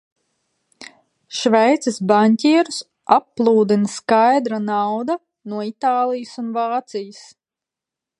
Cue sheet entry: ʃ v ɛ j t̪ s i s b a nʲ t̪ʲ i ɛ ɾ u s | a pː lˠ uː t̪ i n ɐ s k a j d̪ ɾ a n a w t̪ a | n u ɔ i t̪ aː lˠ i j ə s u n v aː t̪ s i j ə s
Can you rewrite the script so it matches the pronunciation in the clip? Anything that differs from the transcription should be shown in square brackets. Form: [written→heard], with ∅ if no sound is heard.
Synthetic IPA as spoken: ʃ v ɛ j t̪ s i s b a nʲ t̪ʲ i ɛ ɾ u s | a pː lˠ uː [t̪→d̪] i n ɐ s k a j d̪ ɾ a n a w [t̪→d̪] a | n u ɔ i t̪ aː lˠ i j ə s u n v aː t̪ s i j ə s

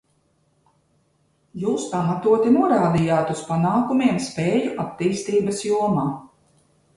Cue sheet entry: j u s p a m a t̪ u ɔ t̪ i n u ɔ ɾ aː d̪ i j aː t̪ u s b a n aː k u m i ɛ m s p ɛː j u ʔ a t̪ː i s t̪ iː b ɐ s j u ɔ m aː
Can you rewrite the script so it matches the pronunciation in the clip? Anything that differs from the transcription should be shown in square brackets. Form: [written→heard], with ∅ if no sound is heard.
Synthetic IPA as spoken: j [u→uː] s p a m a t̪ u ɔ t̪ i n u ɔ ɾ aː d̪ i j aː t̪ u s [b→p] a n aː k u m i ɛ m s p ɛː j u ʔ a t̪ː [i→iː] s t̪ iː b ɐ s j u ɔ m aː

